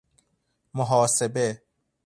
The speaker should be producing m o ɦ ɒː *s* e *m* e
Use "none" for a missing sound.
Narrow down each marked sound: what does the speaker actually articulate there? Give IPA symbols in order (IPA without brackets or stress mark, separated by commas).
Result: s, b